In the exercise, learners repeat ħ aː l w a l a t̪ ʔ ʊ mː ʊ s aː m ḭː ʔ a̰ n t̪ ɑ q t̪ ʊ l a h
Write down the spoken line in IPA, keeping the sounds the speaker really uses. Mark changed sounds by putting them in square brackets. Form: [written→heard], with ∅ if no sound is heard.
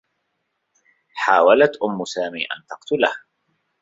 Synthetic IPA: ħ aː [l→∅] w a l a t̪ ʔ ʊ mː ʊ s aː m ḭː ʔ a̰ n t̪ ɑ q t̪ ʊ l a h